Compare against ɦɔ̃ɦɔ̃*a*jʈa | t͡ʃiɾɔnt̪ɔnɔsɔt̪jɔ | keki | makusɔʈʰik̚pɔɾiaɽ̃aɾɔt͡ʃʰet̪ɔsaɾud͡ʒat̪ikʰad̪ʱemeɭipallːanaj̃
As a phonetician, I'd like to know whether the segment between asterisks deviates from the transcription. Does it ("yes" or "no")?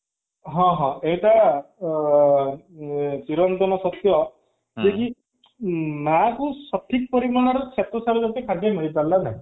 yes